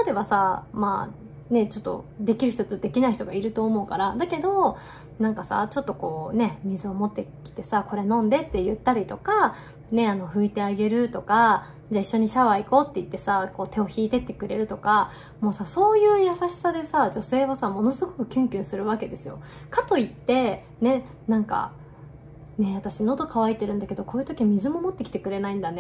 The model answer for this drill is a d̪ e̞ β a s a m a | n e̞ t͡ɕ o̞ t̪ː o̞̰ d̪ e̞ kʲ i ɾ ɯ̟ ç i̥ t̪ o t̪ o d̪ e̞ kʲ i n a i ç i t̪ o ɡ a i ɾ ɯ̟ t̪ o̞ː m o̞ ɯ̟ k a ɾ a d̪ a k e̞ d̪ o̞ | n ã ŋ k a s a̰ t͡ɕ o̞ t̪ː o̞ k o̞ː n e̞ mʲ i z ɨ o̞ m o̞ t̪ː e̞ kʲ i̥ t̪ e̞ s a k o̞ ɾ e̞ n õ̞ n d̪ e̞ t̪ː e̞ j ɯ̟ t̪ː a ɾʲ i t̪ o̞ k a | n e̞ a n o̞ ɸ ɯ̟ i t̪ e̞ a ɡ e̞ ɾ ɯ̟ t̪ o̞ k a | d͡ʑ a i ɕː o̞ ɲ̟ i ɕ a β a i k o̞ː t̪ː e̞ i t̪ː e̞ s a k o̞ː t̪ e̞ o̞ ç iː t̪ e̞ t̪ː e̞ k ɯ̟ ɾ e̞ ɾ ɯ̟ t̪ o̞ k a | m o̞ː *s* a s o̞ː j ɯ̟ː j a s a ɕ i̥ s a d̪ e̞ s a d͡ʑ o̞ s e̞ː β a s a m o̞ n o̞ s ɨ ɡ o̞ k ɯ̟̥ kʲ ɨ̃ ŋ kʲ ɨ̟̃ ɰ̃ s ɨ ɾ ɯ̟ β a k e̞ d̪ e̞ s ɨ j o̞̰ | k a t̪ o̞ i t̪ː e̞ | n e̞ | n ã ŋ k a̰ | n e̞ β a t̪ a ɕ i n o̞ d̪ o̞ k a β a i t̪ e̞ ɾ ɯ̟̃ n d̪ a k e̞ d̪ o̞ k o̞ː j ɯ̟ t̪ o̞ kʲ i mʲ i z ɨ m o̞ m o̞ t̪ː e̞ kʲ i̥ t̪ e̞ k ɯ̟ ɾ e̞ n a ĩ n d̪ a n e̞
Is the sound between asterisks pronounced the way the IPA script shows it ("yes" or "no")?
yes